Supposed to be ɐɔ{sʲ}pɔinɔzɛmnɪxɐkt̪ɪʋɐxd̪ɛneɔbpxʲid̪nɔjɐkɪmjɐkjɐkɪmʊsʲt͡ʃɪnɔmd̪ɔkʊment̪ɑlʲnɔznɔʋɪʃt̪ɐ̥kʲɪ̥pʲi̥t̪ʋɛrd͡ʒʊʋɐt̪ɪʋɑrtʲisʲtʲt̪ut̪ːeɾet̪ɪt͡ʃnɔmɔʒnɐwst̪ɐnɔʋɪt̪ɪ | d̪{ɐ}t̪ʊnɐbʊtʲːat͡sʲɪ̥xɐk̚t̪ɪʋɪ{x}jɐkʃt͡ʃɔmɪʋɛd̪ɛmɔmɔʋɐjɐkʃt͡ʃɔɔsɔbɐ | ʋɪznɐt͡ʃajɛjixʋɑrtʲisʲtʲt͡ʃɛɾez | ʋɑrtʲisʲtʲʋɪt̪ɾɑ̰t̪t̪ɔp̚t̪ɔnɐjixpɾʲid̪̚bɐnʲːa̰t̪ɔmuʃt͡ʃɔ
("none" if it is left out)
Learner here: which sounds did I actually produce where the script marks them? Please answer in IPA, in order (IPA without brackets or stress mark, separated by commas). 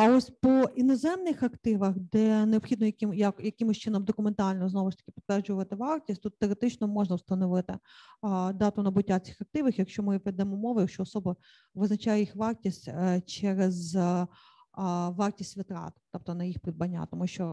sʲ, ɑ, x